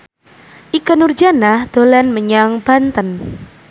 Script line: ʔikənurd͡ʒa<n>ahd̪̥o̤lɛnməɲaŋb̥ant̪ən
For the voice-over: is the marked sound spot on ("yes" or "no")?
yes